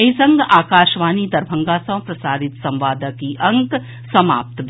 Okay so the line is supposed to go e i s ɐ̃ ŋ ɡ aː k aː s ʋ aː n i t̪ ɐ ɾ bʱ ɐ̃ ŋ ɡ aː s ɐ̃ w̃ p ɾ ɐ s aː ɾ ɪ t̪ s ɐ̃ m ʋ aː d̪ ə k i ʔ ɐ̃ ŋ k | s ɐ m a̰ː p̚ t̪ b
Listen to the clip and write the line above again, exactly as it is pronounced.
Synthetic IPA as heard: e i s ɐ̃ ŋ ɡ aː k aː ʃ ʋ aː n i d̪ ɐ ɾ bʱ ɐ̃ ŋ ɡ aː s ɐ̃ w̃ p ɾ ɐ s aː ɾ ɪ t̪ s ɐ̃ m ʋ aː d̪ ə k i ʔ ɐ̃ ŋ k | s ɐ m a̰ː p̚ t̪ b